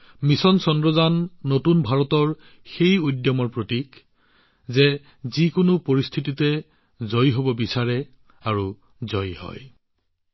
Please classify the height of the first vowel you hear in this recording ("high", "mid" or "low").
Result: high